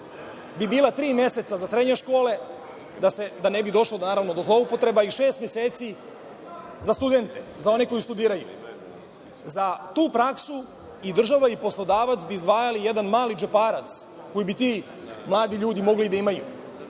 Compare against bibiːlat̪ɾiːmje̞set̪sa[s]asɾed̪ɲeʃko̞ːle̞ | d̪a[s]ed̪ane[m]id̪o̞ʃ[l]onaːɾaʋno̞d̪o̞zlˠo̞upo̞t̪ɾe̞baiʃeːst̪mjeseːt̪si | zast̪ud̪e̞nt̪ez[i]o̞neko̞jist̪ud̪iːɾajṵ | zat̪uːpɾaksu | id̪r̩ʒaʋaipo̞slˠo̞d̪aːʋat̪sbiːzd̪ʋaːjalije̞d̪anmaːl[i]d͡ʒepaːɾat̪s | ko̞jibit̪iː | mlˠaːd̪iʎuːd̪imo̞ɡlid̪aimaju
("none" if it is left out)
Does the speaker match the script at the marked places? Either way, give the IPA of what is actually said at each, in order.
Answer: z, s, b, l, a, i

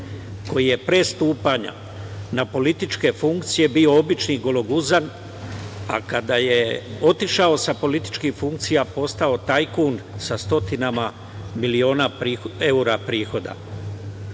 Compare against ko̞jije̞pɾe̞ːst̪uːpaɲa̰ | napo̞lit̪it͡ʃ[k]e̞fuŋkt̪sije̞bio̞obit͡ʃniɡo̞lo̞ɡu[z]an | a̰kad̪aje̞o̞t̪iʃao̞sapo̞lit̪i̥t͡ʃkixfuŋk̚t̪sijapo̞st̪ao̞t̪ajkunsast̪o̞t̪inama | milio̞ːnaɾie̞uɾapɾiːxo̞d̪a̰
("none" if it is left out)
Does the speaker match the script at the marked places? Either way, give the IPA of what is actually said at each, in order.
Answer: k, z

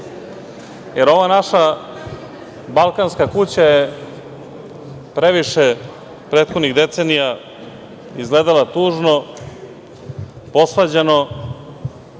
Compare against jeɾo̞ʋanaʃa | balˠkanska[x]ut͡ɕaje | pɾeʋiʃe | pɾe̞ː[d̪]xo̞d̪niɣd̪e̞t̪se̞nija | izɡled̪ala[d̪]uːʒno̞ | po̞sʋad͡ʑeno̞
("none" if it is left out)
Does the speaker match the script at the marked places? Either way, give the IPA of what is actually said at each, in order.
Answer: k, t̪, t̪

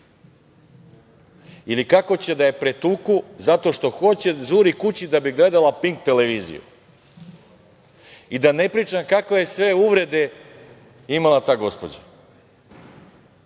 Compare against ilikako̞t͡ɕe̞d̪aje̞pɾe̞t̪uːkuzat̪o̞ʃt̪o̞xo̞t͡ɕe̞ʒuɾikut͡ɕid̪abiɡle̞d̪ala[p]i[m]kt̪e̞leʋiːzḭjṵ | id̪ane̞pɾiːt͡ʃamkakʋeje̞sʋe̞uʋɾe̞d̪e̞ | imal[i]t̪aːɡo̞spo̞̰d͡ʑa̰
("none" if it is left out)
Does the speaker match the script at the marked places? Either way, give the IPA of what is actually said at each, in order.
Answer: p, ŋ, a

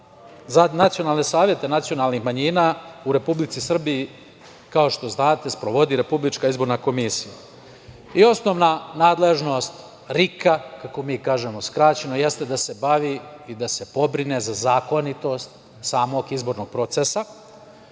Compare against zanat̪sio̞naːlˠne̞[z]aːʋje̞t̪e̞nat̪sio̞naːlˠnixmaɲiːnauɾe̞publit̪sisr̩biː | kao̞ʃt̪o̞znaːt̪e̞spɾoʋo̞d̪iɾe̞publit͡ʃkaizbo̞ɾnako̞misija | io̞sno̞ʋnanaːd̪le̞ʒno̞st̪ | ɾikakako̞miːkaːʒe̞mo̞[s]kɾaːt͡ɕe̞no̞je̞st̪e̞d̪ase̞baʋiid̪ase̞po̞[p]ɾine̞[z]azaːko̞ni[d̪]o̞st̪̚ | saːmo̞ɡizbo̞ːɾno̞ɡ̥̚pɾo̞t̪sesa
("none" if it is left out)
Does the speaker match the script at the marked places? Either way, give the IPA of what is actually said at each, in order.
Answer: s, s, b, z, t̪

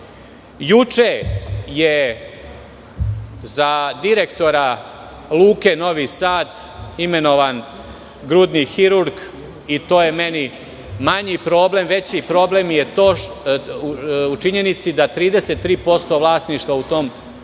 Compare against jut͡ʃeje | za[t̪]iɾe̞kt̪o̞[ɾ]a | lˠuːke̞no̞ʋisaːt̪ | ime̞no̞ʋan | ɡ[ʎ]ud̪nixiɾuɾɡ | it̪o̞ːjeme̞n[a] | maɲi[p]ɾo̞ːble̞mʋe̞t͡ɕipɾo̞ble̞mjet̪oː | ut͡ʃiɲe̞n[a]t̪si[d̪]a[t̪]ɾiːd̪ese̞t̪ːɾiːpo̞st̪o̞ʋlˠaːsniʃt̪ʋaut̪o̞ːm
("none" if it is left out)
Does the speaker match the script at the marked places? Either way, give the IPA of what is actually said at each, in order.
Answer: d̪, ɾ, ɾ, i, p, i, d̪, t̪

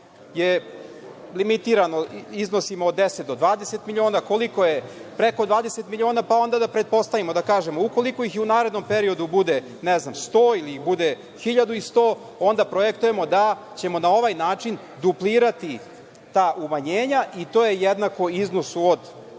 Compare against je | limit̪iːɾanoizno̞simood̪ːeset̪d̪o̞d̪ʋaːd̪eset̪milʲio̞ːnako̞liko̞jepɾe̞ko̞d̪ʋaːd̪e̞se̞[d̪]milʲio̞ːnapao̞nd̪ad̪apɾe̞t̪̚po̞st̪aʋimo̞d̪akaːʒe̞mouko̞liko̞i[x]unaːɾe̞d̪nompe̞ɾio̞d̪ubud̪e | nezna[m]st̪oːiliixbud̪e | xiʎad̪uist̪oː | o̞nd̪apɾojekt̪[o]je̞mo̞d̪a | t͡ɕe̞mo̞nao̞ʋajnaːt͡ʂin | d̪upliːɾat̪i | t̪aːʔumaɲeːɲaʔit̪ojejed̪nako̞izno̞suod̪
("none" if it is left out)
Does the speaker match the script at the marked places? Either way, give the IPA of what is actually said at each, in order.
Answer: t̪, x, m, u

